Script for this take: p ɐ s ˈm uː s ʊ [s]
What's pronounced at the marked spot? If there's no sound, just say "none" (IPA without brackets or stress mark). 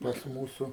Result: none